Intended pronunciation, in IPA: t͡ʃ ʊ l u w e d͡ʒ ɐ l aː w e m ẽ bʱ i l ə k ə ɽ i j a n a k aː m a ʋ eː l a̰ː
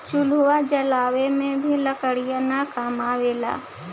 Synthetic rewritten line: t͡ʃ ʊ l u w a d͡ʒ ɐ l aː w e m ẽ bʱ i l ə k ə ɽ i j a n a k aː m a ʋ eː l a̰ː